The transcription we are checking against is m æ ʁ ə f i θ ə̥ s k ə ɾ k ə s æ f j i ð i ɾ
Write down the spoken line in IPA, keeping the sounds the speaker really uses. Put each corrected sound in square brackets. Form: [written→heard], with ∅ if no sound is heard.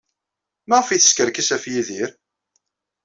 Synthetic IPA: m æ ʁ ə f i θ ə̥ s k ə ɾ k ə s æ f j i ð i ɾ